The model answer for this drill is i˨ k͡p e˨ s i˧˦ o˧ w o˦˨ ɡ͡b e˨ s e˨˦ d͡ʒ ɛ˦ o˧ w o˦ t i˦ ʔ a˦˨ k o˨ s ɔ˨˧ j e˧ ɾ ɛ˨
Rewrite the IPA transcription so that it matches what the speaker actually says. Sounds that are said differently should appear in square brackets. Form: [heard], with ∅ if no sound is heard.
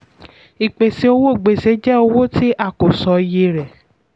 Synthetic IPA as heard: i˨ k͡p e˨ s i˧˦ o˧ w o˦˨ ɡ͡b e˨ s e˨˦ d͡ʒ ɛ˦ o˧ w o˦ t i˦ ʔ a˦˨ k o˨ s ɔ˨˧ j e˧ ɾ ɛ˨

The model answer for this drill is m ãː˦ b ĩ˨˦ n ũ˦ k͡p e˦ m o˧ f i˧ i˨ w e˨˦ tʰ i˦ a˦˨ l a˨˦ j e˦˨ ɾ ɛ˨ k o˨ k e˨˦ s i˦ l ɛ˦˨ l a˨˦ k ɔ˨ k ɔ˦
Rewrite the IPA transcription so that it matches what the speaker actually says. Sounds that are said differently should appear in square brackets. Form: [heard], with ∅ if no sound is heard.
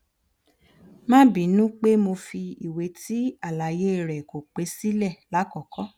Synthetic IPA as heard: m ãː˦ b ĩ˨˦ n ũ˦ k͡p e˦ m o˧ f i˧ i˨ w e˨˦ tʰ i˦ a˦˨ l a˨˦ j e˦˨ ɾ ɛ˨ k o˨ [k͡p] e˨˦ s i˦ l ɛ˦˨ l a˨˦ k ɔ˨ k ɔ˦

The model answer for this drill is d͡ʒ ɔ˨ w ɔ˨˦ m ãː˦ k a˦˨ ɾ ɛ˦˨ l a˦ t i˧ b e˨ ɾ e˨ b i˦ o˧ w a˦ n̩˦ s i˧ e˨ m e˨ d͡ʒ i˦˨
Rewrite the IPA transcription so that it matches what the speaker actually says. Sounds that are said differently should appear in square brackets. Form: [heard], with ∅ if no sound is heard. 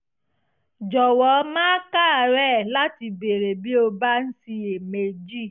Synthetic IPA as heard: d͡ʒ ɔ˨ w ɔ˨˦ m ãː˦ k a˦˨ ɾ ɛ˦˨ l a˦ t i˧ b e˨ ɾ e˨ b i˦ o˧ [b] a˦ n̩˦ s i˧ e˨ m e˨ d͡ʒ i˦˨

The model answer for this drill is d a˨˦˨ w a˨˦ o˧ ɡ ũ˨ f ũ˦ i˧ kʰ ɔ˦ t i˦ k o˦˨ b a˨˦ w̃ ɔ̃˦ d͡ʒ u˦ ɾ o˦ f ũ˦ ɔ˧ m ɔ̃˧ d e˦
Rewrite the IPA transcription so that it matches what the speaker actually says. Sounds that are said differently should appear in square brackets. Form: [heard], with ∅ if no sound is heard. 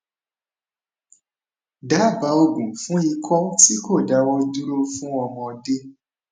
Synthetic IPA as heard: d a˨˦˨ [b] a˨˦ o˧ ɡ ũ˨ f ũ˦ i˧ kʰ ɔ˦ t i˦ k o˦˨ [d] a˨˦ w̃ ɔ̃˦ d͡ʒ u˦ ɾ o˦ f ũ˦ ɔ˧ m ɔ̃˧ d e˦

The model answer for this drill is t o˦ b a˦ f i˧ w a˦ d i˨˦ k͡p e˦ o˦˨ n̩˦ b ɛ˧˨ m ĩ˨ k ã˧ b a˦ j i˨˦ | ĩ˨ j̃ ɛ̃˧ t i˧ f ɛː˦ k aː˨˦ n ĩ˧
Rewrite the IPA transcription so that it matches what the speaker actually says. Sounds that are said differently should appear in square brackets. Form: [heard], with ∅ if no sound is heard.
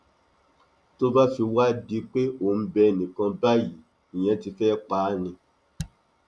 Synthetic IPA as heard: t o˦ b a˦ f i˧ w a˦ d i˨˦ k͡p e˦ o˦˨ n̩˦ b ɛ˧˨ [n] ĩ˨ k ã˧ b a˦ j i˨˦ | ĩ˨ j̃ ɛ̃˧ t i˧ f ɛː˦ [k͡p] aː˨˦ n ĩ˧

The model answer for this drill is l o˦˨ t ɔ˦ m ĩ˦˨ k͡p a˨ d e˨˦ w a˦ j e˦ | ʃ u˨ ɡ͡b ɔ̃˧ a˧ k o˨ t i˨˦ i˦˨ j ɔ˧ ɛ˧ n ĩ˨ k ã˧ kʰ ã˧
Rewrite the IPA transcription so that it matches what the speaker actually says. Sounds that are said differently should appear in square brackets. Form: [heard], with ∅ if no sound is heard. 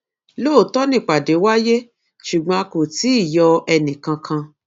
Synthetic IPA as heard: l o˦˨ t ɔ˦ [n] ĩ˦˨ k͡p a˨ d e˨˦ w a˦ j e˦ | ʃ u˨ ɡ͡b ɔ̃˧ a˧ k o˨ t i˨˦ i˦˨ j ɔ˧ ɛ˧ n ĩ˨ k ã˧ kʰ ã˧

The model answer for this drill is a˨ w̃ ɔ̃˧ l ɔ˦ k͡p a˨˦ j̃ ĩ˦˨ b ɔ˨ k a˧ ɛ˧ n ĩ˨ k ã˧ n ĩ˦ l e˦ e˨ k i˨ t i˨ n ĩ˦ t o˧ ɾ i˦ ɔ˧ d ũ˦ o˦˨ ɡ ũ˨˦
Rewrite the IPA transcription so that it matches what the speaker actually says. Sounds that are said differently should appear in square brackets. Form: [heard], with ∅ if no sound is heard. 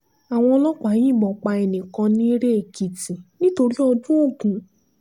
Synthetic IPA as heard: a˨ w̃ ɔ̃˧ l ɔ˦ k͡p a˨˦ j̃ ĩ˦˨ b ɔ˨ [k͡p] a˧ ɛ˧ n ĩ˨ k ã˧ n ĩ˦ [ɾ] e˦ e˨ k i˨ t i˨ n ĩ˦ t o˧ ɾ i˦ ɔ˧ d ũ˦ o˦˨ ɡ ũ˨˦

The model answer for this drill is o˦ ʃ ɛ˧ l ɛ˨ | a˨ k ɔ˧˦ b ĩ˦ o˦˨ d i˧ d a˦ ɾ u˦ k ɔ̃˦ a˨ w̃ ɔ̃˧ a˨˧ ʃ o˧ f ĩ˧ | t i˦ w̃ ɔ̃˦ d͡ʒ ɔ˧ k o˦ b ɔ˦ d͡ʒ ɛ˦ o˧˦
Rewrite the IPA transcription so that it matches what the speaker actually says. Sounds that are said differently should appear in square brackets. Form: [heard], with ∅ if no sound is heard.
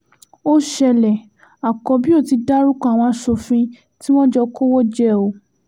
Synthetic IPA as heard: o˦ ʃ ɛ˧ l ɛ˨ | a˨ k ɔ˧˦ b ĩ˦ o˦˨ [t] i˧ d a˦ ɾ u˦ k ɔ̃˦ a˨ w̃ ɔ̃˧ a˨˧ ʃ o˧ f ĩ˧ | t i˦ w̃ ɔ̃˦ d͡ʒ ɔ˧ k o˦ [w] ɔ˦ d͡ʒ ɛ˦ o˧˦

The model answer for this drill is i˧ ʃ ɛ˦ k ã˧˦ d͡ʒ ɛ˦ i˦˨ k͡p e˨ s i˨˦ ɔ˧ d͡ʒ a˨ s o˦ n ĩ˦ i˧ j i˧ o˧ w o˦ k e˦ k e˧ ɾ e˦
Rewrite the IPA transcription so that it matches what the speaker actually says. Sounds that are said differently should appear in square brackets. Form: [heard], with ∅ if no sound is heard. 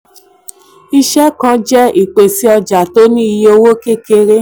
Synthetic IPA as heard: i˧ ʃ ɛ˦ k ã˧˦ d͡ʒ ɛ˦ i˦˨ k͡p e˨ s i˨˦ ɔ˧ d͡ʒ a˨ [t] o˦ n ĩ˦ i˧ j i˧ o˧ w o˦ k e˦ k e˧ ɾ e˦

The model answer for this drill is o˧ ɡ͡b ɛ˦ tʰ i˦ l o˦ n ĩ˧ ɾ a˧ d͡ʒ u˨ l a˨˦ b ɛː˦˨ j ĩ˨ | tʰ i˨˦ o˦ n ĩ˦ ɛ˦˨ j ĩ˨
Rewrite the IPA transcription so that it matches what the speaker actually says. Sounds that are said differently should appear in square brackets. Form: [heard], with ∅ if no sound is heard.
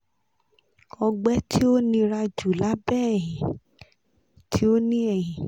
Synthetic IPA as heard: [ɔ˧] ɡ͡b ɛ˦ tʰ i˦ [∅] o˦ n ĩ˧ ɾ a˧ d͡ʒ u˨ l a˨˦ b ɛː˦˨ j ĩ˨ | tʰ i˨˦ o˦ n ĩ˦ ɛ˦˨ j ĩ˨

